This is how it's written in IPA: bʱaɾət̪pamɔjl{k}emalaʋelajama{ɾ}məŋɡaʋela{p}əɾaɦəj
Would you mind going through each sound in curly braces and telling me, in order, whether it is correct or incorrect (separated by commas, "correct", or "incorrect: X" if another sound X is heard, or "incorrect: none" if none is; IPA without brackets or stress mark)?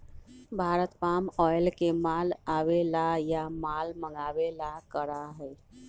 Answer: correct, incorrect: l, incorrect: k